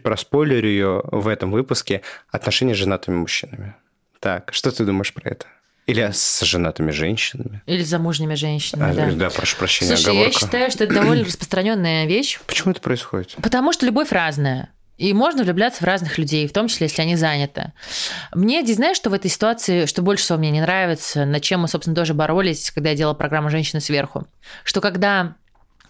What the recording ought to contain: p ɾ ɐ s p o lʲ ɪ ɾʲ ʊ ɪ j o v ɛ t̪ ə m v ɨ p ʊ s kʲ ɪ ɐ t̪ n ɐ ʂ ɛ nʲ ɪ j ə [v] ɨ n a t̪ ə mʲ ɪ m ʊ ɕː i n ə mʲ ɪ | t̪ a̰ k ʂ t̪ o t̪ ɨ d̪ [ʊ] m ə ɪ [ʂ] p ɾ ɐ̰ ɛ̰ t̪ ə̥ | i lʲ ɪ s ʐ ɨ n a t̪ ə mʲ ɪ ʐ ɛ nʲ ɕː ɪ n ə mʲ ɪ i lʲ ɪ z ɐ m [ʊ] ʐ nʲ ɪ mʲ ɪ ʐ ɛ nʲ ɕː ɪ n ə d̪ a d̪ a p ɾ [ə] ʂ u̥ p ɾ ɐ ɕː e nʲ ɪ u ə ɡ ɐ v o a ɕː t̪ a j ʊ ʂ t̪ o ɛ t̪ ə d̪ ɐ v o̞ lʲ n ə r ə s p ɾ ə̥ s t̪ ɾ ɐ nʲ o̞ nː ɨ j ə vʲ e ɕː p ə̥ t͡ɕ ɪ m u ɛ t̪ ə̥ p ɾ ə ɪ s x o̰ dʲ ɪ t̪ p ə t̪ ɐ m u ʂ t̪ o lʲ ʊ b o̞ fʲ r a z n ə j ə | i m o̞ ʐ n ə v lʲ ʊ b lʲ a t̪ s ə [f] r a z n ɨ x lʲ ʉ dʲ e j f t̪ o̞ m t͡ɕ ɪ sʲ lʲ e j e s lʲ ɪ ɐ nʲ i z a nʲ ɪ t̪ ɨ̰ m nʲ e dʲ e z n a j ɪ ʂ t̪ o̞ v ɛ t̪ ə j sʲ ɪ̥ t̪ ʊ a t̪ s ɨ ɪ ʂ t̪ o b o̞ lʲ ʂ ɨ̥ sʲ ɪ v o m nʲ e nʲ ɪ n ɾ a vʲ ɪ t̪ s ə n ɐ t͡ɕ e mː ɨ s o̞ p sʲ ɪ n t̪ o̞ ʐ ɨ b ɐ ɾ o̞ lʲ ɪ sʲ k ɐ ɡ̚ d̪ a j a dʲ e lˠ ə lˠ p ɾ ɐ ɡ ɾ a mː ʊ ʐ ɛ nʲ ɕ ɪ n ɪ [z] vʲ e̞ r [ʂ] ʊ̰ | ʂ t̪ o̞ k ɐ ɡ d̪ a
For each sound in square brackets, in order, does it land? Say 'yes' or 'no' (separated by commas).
no, no, yes, no, no, no, no, no